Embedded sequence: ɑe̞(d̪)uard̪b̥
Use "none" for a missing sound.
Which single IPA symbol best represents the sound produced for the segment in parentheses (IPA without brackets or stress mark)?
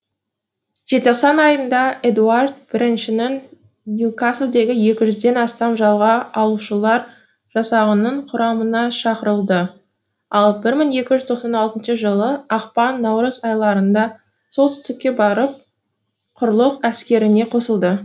d̪